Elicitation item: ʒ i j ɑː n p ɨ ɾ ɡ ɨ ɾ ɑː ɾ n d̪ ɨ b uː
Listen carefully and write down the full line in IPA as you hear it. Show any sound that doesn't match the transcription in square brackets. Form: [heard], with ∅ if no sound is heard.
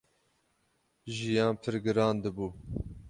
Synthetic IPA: ʒ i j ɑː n [pʰ] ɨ ɾ ɡ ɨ ɾ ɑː [∅] n d̪ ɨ b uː